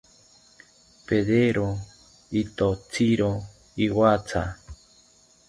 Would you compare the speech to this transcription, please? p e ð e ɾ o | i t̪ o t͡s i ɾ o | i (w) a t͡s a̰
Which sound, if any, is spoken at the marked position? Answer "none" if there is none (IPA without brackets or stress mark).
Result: w